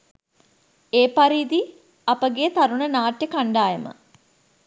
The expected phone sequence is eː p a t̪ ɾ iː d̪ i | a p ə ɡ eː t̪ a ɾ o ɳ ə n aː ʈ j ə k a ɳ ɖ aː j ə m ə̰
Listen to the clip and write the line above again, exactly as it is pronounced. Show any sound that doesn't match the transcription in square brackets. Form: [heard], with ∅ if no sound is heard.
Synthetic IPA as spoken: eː p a [∅] ɾ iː d̪ i | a p ə ɡ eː t̪ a ɾ [u] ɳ ə n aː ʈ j ə k a ɳ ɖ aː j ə m ə̰